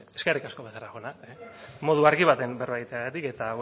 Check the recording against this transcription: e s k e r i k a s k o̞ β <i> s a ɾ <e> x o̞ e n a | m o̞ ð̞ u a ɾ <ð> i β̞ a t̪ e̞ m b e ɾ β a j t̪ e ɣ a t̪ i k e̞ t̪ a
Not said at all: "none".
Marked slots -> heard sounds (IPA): e, a, ɣ

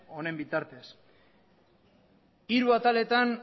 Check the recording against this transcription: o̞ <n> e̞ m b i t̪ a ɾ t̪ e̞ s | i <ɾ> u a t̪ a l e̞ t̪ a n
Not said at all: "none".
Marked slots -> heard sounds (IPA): n, ɾ

